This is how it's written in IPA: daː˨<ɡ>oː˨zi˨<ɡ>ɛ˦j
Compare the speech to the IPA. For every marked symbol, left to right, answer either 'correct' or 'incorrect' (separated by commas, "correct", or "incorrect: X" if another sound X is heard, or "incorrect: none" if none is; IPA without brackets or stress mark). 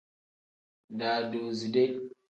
incorrect: d, incorrect: d